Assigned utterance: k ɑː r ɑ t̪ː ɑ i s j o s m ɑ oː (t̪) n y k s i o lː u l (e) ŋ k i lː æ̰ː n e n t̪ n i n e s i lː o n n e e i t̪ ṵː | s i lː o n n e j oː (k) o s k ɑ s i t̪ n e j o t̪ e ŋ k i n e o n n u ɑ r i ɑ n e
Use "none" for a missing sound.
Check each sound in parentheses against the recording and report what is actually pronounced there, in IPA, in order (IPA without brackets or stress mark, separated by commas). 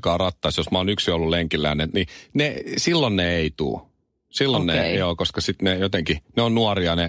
none, e, k